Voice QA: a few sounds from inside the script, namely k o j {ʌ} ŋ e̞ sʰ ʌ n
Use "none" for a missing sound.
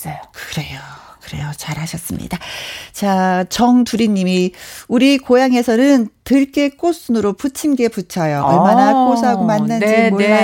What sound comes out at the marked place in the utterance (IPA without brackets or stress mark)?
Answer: a